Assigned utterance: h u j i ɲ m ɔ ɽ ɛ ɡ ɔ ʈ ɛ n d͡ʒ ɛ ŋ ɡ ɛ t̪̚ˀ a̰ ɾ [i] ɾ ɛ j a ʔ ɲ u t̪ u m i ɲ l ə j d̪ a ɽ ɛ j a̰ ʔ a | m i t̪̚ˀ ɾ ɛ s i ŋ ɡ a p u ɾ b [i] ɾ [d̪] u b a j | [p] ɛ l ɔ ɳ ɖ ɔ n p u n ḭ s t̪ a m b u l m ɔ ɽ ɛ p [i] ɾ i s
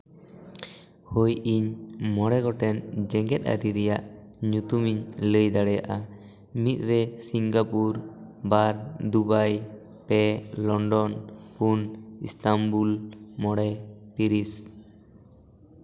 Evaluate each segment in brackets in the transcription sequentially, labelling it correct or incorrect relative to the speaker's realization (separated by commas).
correct, incorrect, correct, correct, correct